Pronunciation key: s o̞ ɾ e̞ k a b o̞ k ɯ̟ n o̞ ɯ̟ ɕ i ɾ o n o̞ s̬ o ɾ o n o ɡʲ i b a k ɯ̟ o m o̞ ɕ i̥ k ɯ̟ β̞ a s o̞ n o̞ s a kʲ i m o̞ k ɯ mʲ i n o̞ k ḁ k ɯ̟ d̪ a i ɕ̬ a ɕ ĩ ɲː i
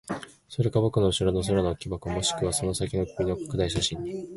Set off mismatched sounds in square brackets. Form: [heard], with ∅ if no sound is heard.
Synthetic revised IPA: s o̞ ɾ e̞ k a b o̞ k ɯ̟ n o̞ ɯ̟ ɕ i ɾ o n o̞ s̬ o ɾ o n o [kʲ] i b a k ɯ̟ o m o̞ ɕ i̥ k ɯ̟ β̞ a s o̞ n o̞ s a kʲ i [n] o̞ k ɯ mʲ i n o̞ k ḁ k ɯ̟ d̪ a i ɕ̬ a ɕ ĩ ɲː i